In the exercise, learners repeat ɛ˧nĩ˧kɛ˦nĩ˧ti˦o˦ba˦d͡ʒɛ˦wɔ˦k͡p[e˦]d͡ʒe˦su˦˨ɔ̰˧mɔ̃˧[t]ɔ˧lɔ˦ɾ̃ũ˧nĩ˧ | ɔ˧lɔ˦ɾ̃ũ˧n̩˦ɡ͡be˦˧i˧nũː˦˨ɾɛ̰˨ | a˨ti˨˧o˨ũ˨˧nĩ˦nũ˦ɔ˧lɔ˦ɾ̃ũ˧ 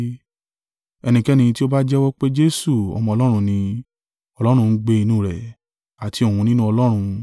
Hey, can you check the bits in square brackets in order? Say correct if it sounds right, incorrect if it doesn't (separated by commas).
correct, incorrect